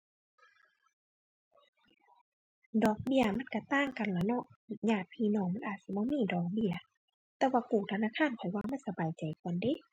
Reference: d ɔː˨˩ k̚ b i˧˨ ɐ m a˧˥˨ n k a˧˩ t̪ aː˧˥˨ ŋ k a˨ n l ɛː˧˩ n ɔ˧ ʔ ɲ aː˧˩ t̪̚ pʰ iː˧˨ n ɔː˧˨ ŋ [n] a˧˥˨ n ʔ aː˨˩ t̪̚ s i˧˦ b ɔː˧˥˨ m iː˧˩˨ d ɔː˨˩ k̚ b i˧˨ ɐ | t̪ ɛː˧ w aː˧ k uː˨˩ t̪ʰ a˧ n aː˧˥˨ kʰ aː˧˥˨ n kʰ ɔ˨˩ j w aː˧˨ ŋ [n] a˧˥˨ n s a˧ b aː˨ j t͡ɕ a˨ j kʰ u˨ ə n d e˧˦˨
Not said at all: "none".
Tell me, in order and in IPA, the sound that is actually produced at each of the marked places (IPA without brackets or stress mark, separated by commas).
m, m